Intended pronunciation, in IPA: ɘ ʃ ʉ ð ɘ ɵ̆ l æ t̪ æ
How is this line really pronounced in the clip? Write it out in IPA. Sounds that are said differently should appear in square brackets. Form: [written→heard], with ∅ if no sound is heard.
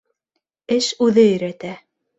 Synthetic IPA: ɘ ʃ ʉ ð ɘ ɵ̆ [l→ɾ] æ t̪ æ

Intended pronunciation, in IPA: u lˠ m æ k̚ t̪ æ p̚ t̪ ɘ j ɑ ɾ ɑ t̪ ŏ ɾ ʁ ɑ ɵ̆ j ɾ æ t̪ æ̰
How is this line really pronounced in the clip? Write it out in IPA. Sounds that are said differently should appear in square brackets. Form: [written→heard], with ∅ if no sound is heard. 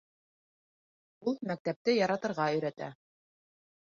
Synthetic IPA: u lˠ m æ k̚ t̪ æ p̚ t̪ ɘ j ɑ ɾ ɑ t̪ [ŏ→ɤ̆] ɾ ʁ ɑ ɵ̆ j ɾ æ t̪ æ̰

